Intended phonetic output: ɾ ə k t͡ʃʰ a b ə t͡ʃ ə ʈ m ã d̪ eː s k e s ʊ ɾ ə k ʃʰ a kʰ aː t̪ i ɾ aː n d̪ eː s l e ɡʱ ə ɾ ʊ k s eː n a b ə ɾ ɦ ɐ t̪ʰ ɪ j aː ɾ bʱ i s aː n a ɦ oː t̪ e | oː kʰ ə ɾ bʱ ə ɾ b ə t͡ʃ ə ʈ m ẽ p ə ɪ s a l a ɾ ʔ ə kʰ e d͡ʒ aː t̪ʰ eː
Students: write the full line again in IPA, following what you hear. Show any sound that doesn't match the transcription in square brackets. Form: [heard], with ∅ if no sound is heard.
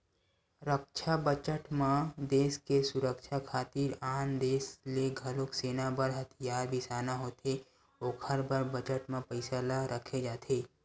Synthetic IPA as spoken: ɾ ə k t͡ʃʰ a b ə t͡ʃ ə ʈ m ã d̪ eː s k e s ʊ ɾ ə k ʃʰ a kʰ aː t̪ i ɾ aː n d̪ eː s l e ɡʱ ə [l] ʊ k s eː n a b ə ɾ ɦ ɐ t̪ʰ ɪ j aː ɾ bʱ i s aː n a ɦ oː t̪ e | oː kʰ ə ɾ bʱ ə ɾ b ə t͡ʃ ə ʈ m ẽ p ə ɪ s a l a ɾ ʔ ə kʰ e d͡ʒ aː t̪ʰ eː